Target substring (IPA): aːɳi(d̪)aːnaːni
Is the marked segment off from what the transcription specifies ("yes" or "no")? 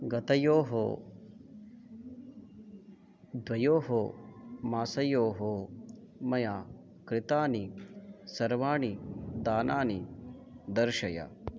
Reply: no